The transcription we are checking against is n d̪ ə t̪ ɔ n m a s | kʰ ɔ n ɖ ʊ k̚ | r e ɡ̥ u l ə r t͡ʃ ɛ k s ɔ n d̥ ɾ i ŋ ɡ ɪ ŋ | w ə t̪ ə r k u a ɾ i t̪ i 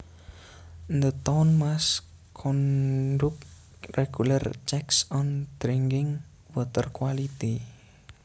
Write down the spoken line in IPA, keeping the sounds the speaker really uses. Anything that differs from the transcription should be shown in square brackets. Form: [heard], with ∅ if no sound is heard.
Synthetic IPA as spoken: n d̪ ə t̪ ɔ n m a s | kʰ ɔ n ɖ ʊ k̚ | r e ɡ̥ u l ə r t͡ʃ ɛ k s ɔ n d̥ ɾ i ŋ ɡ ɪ ŋ | w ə t̪ ə r k [w] a [l] i t̪ i